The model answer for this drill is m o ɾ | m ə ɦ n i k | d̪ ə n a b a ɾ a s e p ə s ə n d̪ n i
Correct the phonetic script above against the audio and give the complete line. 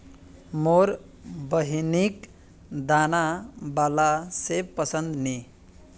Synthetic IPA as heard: m o ɾ | b ə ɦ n i k | d̪ a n a b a l a s e p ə s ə n d̪ n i